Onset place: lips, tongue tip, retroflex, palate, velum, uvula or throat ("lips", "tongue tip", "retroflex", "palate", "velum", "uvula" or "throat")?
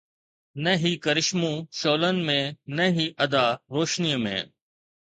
tongue tip